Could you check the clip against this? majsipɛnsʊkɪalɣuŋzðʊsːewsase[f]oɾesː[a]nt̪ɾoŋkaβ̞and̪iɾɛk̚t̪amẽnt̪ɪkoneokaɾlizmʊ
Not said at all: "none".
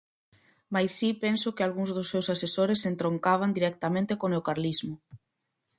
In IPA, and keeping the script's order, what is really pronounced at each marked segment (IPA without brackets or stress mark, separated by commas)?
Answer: s, e